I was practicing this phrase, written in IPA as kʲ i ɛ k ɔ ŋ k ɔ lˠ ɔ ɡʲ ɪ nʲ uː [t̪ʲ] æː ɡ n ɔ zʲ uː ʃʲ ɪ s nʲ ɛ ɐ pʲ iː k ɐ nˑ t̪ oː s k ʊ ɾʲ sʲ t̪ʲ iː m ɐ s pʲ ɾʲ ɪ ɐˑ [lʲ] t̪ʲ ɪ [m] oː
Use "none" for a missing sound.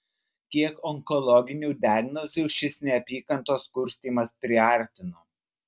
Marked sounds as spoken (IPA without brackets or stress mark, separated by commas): d̪ʲ, ɾʲ, n